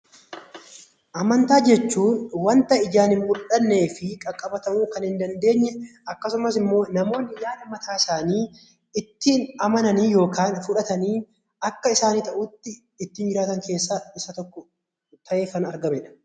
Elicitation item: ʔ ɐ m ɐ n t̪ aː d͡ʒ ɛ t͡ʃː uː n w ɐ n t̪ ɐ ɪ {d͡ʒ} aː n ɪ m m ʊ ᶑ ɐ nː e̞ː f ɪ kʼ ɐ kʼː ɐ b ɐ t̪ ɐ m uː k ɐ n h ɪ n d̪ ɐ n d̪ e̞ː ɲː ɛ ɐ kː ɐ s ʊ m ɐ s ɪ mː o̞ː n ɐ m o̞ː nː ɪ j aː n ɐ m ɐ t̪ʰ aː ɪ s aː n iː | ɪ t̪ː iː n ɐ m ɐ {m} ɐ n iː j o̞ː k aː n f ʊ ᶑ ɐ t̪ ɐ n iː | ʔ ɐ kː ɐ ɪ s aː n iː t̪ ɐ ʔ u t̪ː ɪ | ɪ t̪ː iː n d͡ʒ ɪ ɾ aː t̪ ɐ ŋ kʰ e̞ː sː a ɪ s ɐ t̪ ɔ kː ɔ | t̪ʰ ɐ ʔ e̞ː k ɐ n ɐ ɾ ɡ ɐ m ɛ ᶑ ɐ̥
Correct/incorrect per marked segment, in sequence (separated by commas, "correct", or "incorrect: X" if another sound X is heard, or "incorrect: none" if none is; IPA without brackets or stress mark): correct, incorrect: n